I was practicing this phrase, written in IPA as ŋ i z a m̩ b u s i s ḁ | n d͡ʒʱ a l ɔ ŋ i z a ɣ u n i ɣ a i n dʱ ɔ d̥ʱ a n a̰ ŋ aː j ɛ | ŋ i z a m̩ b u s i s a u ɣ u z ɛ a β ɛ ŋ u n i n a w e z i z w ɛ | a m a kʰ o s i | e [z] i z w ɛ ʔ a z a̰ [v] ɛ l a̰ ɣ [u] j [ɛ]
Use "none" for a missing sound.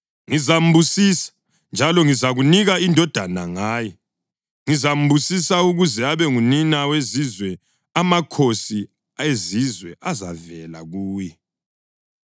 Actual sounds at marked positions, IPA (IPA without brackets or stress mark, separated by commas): z, v, uː, ɛ